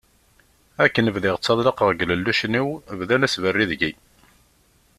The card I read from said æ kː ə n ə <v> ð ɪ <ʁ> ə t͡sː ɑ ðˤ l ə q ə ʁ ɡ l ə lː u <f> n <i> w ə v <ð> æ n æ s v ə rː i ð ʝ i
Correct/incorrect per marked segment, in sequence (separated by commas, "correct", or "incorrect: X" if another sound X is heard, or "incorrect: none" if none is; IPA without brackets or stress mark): correct, correct, incorrect: ʃ, correct, correct